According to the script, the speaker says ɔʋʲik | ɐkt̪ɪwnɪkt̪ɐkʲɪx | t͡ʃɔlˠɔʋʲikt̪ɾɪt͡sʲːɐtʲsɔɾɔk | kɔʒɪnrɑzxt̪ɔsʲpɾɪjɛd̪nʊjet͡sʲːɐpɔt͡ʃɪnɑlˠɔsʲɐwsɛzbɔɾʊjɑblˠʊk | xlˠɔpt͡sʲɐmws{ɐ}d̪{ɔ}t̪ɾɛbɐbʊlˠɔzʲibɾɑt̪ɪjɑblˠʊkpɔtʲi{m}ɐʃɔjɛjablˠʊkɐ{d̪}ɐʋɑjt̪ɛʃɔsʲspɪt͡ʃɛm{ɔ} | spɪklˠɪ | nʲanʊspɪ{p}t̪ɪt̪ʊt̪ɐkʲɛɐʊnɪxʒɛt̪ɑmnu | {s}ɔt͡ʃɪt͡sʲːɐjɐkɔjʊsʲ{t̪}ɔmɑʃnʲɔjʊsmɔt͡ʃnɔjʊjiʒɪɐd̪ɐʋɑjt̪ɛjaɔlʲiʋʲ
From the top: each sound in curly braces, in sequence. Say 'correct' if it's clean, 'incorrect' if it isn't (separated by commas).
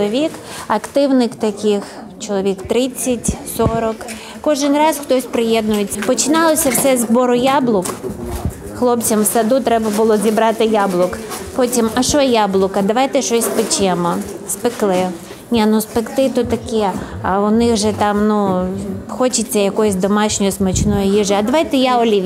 correct, incorrect, correct, correct, correct, incorrect, incorrect, incorrect